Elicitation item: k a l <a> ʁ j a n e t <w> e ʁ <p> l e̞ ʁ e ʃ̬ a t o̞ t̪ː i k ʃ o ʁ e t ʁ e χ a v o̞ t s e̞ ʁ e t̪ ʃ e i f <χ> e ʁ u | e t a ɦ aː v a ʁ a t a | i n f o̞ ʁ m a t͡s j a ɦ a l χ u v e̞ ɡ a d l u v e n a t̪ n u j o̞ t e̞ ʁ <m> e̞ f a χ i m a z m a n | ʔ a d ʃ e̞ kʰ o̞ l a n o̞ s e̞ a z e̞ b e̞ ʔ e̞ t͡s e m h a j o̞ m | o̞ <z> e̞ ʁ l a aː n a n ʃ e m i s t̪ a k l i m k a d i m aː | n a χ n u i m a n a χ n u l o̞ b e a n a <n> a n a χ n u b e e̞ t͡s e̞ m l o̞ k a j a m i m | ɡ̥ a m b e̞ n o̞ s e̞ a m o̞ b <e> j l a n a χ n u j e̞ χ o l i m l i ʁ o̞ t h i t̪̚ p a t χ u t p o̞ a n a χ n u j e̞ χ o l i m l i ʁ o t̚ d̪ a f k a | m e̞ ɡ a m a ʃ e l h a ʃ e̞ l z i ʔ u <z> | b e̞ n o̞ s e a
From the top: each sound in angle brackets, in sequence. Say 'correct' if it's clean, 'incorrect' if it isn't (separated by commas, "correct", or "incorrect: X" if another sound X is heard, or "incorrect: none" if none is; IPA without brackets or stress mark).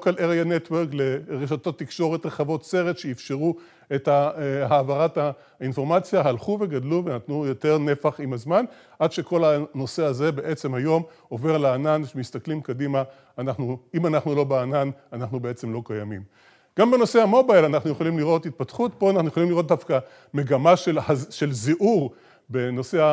incorrect: e, correct, incorrect: k, incorrect: ʃ, incorrect: n, incorrect: v, correct, incorrect: a, incorrect: ʁ